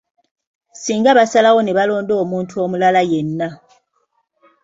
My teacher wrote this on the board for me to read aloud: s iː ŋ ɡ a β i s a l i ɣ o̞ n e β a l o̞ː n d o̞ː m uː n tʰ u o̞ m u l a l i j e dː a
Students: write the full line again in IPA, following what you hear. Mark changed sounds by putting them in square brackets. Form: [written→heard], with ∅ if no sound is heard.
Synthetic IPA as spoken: s iː ŋ ɡ a β [i→a] s a l [i→a] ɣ o̞ n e β a l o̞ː n d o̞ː m uː n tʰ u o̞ m u l a l [i→a] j e [dː→nː] a